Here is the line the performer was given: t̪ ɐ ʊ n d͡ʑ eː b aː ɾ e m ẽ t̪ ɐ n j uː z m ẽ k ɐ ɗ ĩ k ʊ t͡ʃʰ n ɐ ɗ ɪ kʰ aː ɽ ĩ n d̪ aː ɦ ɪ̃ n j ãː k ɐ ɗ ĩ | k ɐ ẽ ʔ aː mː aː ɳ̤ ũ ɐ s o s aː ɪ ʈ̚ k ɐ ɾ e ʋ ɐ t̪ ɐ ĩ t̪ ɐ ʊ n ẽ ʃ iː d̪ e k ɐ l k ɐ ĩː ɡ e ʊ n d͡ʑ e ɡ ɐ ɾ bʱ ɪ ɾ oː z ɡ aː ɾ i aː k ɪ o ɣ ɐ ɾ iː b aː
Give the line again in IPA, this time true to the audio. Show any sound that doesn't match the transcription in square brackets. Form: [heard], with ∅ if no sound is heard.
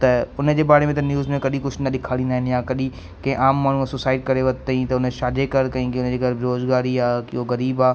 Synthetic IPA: t̪ ɐ ʊ n d͡ʑ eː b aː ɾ e m ẽ t̪ ɐ n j uː z m ẽ k ɐ ɗ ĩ k ʊ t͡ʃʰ n ɐ ɗ ɪ kʰ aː ɽ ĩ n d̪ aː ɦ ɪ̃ n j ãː k ɐ ɗ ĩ | k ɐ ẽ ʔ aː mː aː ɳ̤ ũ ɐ s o s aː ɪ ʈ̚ k ɐ ɾ e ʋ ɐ t̪ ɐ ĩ t̪ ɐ ʊ n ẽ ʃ [aː] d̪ e k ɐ [ɾ] k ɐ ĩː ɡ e ʊ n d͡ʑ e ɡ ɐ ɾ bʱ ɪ ɾ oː z ɡ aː ɾ i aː k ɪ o ɣ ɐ ɾ iː b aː

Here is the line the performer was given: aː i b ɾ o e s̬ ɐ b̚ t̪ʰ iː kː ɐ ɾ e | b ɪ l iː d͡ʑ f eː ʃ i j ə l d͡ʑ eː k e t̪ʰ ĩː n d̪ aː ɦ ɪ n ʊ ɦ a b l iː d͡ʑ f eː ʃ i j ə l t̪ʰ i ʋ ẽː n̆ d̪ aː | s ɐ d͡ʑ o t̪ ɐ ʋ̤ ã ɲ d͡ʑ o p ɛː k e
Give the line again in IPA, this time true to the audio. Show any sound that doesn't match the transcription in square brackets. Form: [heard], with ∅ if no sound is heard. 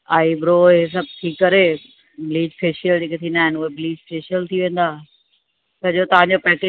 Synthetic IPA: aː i b ɾ o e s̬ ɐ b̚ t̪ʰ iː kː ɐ ɾ e | b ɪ l iː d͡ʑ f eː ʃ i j ə l d͡ʑ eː k e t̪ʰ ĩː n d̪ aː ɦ ɪ n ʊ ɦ [e] b l iː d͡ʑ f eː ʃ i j ə l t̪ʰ i ʋ ẽː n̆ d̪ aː | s ɐ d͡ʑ o t̪ ɐ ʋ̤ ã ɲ d͡ʑ o p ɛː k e

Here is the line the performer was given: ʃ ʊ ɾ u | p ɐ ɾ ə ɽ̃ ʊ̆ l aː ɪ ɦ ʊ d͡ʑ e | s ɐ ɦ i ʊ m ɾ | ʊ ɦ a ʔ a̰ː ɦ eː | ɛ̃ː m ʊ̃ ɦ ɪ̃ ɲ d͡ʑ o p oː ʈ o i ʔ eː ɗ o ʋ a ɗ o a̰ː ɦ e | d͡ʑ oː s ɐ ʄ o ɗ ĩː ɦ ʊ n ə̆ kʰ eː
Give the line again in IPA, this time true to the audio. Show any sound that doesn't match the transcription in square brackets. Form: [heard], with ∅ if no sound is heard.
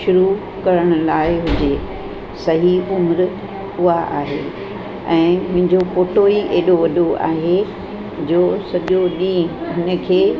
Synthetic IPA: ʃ ʊ ɾ u | [k] ɐ ɾ ə ɽ̃ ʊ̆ l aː ɪ ɦ ʊ d͡ʑ e | s ɐ ɦ i ʊ m ɾ | ʊ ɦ a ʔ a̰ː ɦ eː | ɛ̃ː m ʊ̃ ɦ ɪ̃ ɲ d͡ʑ o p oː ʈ o i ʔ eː ɗ o ʋ [ɐ] ɗ o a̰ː ɦ e | d͡ʑ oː s ɐ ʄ o ɗ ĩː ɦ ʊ n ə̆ kʰ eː

